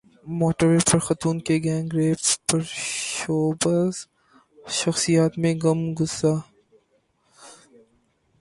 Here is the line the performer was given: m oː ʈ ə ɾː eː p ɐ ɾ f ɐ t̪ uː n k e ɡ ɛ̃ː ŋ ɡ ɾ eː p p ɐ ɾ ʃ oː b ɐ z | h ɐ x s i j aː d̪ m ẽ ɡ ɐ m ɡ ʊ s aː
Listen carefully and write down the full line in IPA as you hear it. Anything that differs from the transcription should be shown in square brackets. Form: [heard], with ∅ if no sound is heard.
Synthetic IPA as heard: m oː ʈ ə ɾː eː p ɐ ɾ [x] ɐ t̪ uː n k e ɡ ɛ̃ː ŋ ɡ ɾ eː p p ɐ ɾ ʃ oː b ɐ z | [ʃ] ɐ x s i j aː [t̪] m ẽ ɡ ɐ m ɡ ʊ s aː